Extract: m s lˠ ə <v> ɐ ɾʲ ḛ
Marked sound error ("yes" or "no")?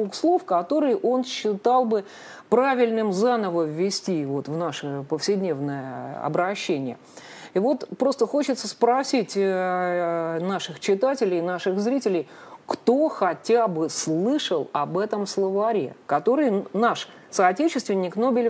no